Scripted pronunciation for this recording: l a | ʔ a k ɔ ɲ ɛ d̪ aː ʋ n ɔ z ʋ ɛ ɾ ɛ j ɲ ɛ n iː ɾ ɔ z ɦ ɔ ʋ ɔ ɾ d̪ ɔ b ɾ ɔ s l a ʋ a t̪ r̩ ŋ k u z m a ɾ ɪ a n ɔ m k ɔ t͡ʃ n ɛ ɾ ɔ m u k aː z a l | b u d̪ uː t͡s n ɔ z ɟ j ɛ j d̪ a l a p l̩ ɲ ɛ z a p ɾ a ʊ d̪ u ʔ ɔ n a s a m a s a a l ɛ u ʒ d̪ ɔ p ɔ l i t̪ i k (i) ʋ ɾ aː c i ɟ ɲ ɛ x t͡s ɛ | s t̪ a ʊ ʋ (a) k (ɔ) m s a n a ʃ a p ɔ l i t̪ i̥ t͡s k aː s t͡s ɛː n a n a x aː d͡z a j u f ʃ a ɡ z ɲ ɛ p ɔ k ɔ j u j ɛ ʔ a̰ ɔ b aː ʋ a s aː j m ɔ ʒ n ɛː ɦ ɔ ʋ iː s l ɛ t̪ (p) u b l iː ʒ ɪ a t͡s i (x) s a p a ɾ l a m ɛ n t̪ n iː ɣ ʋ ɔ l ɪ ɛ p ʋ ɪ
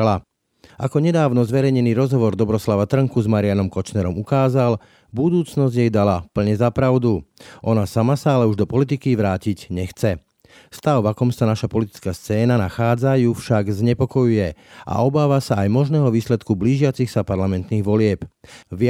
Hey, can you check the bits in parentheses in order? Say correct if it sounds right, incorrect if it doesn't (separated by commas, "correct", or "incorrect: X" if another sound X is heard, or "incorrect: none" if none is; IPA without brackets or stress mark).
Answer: correct, correct, correct, incorrect: k, correct